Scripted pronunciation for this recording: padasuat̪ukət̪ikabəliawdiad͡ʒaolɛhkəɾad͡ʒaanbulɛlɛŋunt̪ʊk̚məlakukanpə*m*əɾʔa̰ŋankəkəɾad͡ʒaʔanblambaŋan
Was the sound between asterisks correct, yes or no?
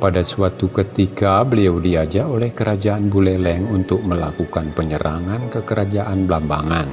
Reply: no